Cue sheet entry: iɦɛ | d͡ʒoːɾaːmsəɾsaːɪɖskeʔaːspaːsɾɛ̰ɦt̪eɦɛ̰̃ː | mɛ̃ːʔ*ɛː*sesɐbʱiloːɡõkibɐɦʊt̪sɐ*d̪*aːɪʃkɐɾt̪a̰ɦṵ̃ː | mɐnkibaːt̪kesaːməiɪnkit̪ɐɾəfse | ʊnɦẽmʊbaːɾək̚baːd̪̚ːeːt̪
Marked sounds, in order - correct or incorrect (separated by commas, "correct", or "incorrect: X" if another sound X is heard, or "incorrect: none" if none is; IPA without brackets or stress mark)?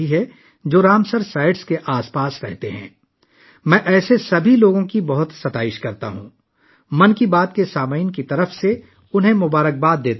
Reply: correct, incorrect: t̪